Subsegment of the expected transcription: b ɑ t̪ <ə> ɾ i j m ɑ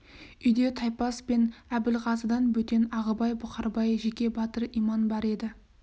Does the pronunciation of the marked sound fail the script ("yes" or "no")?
no